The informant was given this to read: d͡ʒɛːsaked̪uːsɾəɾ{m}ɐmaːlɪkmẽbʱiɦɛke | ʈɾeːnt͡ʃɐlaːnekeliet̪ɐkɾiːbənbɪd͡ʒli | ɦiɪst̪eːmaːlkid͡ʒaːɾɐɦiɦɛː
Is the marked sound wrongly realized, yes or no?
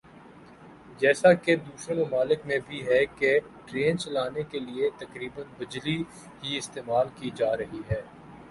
no